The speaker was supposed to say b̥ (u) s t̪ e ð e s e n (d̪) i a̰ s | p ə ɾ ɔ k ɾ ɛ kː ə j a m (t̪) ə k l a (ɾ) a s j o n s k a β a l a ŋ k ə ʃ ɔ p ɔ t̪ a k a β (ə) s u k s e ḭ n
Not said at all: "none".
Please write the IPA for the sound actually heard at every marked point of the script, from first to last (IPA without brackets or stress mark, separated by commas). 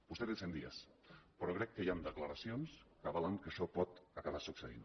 u, d̪, d̪, ɾ, a